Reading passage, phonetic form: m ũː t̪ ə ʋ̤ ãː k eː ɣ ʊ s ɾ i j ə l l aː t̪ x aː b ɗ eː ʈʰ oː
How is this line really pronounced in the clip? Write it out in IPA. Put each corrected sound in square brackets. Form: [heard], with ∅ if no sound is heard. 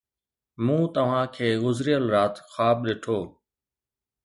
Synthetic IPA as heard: m ũː t̪ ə ʋ̤ ãː [kʰ] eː ɣ ʊ [z] ɾ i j ə l [ɾ] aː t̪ x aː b ɗ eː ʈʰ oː